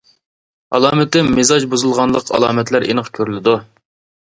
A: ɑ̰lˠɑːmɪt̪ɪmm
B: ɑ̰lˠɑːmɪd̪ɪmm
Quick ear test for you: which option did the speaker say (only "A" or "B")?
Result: A